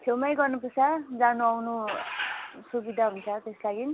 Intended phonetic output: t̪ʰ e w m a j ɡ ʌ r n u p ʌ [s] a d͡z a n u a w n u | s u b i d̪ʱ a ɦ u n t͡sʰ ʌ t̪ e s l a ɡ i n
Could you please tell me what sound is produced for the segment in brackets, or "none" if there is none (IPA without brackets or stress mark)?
s